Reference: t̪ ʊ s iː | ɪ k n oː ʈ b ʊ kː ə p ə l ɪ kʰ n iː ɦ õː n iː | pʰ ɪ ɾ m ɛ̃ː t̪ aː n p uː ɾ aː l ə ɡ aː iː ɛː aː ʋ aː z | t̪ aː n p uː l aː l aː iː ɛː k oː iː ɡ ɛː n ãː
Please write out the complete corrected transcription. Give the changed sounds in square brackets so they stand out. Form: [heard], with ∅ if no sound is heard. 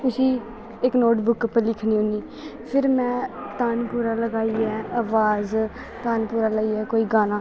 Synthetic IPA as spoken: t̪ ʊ s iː | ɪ k n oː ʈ b ʊ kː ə p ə l ɪ kʰ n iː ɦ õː n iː | pʰ ɪ ɾ m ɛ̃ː t̪ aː n p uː ɾ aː l ə ɡ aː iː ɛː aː ʋ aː z | t̪ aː n p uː [ɾ] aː l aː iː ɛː k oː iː ɡ [aː] n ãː